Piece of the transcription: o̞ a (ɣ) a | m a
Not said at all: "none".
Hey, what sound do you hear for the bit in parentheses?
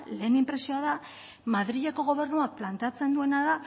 ð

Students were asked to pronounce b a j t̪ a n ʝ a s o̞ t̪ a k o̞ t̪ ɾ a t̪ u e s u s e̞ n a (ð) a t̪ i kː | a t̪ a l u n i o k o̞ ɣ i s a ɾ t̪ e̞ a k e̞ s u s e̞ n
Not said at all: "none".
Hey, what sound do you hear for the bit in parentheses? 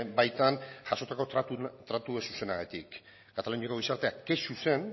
ɣ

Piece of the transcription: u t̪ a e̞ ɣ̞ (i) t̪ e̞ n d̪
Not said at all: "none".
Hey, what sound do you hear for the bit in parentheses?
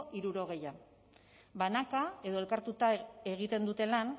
i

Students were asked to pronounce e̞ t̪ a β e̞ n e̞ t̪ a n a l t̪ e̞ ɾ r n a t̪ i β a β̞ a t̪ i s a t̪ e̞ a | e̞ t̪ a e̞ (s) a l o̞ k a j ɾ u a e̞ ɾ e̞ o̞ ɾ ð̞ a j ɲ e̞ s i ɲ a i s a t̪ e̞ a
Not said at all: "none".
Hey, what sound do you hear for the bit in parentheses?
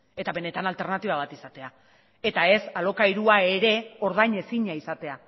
s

